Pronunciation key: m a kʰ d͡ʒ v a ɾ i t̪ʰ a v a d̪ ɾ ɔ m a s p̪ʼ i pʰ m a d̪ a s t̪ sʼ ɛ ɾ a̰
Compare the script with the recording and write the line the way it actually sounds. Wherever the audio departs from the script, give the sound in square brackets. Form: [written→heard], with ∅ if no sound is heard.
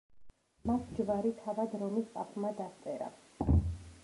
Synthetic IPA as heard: m a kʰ d͡ʒ v a ɾ i t̪ʰ a v a d̪ ɾ ɔ m [a→i] s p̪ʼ [i→a] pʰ m a d̪ a s t̪ sʼ ɛ ɾ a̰